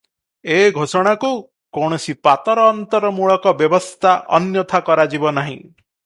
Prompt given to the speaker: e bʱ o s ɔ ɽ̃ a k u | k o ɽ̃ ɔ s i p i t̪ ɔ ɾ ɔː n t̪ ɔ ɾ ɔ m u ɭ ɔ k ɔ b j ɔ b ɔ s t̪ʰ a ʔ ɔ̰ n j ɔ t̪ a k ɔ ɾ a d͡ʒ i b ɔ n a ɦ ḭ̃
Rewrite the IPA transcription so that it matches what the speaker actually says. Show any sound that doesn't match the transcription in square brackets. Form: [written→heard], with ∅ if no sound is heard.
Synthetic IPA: e [bʱ→ɡʱ] o s ɔ ɽ̃ a k u | k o ɽ̃ ɔ s i p [i→a] t̪ ɔ ɾ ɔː n t̪ ɔ ɾ ɔ m u ɭ ɔ k ɔ b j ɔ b ɔ s t̪ʰ a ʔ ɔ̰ n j ɔ [t̪→t̪ʰ] a k ɔ ɾ a d͡ʒ i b ɔ n a ɦ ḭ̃

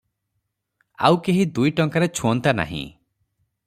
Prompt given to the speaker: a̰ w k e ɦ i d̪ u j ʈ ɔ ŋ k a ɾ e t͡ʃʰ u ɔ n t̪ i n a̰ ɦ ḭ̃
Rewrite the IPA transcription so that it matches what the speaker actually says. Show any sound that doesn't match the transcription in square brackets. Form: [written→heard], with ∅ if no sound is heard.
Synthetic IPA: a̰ w k e ɦ i d̪ u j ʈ ɔ ŋ k a ɾ e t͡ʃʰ u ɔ n t̪ [i→a] n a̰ ɦ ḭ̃

